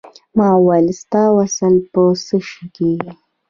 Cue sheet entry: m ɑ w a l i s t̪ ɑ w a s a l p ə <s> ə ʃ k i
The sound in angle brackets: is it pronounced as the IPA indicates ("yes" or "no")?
yes